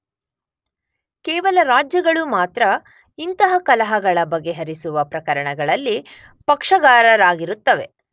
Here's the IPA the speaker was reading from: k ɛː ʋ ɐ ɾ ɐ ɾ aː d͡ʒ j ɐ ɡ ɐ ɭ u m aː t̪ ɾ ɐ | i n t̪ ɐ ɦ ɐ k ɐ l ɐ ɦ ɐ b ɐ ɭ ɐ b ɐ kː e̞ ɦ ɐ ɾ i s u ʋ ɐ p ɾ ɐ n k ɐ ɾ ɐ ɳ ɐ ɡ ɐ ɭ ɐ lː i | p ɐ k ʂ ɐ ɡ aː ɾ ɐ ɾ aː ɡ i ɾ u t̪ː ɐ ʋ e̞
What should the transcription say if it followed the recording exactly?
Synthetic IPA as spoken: k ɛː ʋ ɐ l ɐ ɾ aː d͡ʒ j ɐ ɡ ɐ ɭ u m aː t̪ ɾ ɐ | i n t̪ ɐ ɦ ɐ k ɐ l ɐ ɦ ɐ ɡ ɐ ɭ ɐ b ɐ ɡː e̞ ɦ ɐ ɾ i s u ʋ ɐ p ɾ ɐ k ɐ ɾ ɐ ɳ ɐ ɡ ɐ ɭ ɐ lː i | p ɐ k ʂ ɐ ɡ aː ɾ ɐ ɾ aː ɡ i ɾ u t̪ː ɐ ʋ e̞